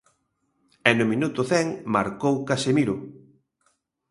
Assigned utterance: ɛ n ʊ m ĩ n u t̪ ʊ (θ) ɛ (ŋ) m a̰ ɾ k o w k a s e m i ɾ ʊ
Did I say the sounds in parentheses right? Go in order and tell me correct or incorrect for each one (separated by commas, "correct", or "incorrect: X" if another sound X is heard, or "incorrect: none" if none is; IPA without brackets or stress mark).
correct, correct